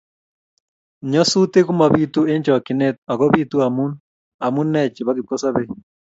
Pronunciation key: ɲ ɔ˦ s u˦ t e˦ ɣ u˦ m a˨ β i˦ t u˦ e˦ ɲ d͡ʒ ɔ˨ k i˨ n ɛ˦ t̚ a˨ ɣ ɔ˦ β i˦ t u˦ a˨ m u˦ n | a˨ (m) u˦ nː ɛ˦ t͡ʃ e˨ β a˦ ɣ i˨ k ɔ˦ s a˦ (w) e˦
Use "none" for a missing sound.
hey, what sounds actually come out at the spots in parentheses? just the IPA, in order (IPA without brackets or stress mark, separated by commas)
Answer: m, β